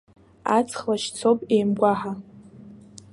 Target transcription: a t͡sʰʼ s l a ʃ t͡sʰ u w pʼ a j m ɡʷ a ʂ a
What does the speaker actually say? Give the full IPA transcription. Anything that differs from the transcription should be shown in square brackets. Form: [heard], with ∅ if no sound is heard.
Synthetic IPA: a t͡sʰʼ [χ] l a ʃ t͡sʰ [o] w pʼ [e] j m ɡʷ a [ħ] a